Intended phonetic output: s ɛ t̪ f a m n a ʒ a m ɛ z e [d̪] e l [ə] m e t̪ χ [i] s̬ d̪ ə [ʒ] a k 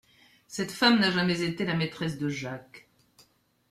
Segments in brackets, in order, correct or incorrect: incorrect: t̪, incorrect: a, incorrect: ɛ, correct

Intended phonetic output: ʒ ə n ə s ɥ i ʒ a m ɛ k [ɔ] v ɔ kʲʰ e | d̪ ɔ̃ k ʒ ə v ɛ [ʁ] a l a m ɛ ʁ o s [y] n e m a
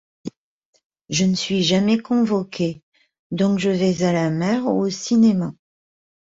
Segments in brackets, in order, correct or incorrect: incorrect: ɔ̃, incorrect: z, incorrect: i

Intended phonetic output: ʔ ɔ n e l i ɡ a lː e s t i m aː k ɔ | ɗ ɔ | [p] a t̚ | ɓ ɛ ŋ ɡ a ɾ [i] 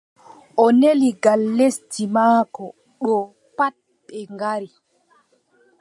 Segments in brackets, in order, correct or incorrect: correct, correct

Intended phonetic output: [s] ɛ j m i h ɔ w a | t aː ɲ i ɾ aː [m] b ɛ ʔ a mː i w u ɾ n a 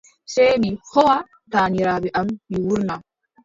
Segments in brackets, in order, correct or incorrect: correct, incorrect: none

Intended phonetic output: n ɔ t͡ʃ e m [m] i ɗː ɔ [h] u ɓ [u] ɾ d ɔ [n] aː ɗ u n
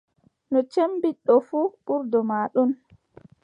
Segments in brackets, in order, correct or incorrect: incorrect: b, incorrect: f, correct, incorrect: m

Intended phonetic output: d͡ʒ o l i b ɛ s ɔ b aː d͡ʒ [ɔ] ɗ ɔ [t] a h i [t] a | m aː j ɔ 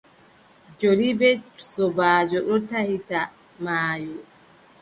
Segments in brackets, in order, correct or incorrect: correct, correct, correct

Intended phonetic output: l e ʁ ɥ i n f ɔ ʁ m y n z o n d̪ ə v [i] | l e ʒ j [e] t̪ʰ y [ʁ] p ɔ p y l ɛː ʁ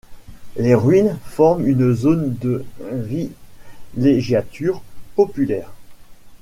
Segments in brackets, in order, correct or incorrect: correct, incorrect: a, correct

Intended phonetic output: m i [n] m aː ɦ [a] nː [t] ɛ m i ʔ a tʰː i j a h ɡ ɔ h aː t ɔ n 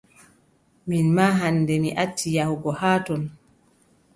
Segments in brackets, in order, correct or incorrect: correct, correct, incorrect: d

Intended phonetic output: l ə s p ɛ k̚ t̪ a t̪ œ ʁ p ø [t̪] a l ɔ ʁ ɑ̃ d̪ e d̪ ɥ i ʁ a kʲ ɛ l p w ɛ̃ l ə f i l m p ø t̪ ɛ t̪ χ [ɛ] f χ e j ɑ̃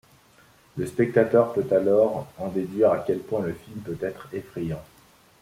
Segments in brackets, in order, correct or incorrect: correct, incorrect: e

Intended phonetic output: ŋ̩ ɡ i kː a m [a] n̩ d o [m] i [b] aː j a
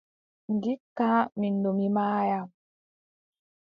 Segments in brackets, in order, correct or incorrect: incorrect: i, correct, incorrect: m

